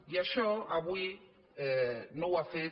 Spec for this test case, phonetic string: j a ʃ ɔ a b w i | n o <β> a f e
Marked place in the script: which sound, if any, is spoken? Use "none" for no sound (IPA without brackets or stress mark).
w